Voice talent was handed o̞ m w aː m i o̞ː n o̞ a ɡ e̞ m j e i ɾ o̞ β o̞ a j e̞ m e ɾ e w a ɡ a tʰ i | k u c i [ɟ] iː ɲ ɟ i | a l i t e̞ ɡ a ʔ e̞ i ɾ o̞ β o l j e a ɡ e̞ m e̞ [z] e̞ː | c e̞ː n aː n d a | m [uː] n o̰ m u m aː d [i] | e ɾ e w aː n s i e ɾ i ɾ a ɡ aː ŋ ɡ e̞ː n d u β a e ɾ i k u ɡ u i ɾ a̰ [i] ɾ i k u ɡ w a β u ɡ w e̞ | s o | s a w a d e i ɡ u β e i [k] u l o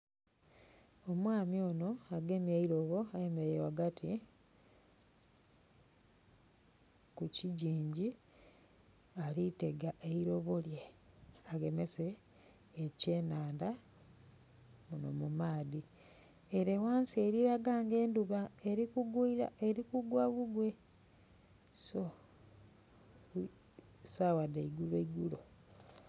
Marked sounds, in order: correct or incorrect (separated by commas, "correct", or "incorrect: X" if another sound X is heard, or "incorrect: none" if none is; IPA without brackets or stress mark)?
correct, incorrect: s, incorrect: u, correct, incorrect: e, incorrect: ɡ